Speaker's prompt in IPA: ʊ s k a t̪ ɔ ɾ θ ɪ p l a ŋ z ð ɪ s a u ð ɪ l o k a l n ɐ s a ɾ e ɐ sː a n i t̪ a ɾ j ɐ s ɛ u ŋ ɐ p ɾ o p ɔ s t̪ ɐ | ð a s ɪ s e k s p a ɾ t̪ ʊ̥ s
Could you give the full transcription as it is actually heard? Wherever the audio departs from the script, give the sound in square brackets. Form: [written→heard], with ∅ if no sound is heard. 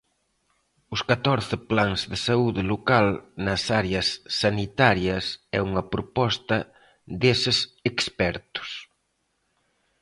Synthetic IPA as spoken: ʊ s k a t̪ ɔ ɾ θ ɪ p l a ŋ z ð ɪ s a u ð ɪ l o k a l n ɐ s a ɾ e ɐ sː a n i t̪ a ɾ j ɐ s ɛ u ŋ ɐ p ɾ o p ɔ s t̪ ɐ | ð [a→e] s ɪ s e k s p [a→ɛ] ɾ t̪ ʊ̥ s